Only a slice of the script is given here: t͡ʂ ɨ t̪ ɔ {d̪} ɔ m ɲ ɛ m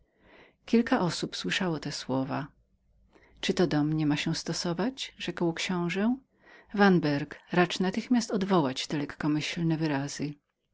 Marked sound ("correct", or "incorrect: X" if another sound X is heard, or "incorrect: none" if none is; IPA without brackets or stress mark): correct